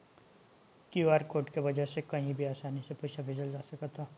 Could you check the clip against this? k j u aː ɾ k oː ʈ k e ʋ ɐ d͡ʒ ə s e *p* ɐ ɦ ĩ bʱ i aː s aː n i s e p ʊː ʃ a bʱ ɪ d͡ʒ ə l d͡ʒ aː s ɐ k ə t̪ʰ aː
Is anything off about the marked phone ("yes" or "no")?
yes